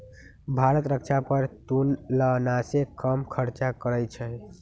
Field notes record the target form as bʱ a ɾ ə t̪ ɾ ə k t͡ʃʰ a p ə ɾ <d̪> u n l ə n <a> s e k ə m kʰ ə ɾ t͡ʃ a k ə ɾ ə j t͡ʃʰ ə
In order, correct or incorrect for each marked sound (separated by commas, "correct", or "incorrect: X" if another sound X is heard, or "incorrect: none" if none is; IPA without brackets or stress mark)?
incorrect: t̪, correct